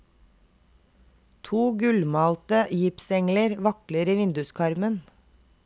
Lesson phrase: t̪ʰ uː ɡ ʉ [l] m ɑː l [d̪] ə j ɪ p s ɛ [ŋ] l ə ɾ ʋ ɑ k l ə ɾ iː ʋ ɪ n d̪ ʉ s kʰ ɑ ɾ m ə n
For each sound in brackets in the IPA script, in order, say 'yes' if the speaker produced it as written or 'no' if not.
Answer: yes, no, yes

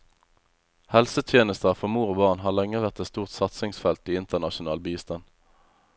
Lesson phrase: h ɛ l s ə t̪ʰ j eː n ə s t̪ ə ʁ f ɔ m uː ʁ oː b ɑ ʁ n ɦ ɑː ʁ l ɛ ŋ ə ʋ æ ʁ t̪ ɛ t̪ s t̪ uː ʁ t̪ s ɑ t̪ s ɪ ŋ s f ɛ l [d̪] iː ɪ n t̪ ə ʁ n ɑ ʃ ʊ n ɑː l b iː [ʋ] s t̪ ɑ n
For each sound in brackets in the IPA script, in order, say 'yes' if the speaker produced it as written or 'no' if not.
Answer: no, no

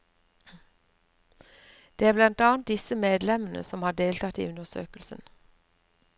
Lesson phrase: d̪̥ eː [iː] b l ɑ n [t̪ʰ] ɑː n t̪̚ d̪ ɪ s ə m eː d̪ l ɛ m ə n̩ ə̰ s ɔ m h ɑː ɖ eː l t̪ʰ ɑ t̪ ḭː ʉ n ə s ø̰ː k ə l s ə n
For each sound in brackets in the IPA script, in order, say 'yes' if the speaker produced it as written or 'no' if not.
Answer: no, no

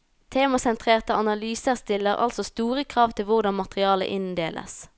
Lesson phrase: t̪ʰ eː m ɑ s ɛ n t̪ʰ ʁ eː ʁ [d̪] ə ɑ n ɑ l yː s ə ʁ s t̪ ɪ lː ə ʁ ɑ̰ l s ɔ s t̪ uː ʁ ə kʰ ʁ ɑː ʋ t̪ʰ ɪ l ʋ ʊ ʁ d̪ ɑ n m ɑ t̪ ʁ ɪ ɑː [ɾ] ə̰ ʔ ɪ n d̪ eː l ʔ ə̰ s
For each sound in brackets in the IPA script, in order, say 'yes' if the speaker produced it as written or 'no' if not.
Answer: no, no

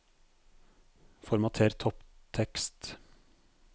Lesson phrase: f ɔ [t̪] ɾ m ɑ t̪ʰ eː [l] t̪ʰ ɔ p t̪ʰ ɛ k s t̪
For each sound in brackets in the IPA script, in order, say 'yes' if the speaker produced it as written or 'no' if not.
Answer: no, no

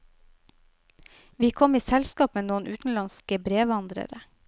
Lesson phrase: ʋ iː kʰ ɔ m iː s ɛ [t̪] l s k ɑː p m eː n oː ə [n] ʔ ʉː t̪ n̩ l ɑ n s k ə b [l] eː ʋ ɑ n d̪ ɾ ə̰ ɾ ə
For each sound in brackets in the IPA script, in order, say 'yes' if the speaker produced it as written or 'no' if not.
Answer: no, yes, no

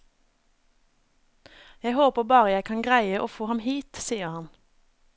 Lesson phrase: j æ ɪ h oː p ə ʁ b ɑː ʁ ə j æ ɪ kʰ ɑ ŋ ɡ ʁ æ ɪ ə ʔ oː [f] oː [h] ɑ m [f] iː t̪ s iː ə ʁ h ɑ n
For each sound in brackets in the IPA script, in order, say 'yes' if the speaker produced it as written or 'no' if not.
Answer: yes, yes, no

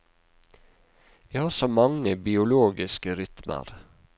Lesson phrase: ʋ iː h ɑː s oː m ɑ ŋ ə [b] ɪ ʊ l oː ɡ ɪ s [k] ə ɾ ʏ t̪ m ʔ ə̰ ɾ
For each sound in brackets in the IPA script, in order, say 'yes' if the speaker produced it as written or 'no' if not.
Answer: yes, yes

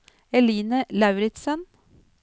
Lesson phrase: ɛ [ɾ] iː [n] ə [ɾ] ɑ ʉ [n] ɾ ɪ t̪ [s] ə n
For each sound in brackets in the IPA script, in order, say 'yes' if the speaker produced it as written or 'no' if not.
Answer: no, yes, no, no, yes

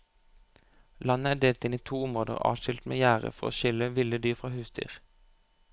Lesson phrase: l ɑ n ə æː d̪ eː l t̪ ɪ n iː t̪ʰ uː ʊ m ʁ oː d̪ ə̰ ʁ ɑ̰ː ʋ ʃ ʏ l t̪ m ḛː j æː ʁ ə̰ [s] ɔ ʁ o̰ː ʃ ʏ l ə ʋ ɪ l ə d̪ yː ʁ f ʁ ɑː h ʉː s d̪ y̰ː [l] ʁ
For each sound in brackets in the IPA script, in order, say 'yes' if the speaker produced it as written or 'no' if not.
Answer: no, no

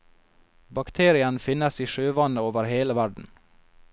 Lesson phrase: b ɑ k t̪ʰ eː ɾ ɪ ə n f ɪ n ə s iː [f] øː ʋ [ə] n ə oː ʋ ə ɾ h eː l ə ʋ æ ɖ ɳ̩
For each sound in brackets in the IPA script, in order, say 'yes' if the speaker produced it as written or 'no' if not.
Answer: no, no

